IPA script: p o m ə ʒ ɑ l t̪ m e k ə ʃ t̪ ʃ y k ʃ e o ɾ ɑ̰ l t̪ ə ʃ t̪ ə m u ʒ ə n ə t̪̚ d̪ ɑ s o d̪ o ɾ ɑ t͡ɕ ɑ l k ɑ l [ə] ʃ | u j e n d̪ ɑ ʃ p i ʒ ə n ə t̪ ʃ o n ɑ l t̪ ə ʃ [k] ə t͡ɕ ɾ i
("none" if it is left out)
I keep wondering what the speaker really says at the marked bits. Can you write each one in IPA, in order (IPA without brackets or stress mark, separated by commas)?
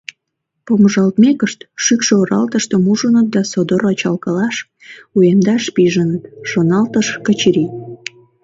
ɑ, k